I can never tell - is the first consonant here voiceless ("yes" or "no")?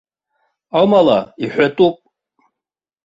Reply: no